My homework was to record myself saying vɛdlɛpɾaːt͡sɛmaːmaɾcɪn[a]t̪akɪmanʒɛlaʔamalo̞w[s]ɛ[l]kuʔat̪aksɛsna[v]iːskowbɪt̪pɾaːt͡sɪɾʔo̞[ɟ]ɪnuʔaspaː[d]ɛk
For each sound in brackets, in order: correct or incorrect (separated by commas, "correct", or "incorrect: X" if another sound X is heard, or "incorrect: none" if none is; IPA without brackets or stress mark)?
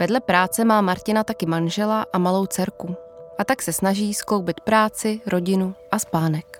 correct, incorrect: t͡s, incorrect: ɾ, incorrect: ʒ, correct, incorrect: n